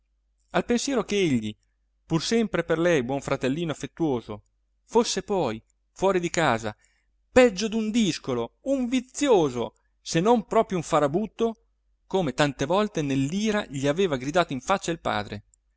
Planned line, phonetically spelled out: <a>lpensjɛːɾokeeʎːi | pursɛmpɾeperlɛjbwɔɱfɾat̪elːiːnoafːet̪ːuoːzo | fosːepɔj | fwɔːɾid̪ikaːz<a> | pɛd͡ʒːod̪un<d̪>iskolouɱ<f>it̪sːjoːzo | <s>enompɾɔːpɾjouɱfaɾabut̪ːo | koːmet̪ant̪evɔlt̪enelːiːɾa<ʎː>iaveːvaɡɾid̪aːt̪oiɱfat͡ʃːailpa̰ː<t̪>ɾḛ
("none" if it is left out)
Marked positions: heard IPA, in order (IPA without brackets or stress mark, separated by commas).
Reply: a, a, d̪, v, s, ʎ, d̪